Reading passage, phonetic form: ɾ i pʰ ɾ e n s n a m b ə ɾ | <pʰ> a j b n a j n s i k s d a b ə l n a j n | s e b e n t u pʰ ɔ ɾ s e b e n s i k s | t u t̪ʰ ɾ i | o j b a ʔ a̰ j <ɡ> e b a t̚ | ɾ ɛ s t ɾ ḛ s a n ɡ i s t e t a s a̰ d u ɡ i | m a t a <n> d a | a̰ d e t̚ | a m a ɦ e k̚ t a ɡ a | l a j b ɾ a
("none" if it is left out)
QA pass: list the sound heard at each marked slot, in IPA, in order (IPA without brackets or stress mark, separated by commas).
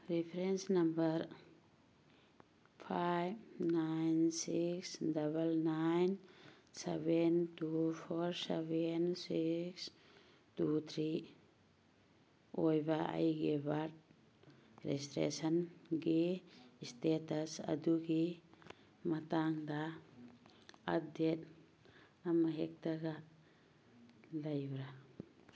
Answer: pʰ, ɡ, ŋ